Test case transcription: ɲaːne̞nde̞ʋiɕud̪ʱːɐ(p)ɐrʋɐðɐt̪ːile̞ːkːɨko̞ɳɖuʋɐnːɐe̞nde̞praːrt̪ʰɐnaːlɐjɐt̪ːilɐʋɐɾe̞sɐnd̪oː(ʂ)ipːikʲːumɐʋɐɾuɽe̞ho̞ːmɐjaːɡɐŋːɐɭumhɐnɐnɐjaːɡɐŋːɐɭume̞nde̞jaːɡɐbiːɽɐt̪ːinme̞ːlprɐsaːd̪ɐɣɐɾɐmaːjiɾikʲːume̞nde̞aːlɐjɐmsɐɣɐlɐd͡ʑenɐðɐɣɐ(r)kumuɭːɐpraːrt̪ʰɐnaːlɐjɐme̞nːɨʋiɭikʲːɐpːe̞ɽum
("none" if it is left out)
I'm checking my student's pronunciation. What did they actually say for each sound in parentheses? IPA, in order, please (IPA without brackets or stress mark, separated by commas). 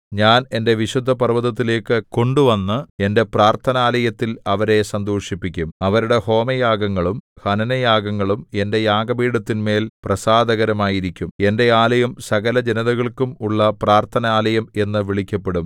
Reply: p, ʂ, ɭ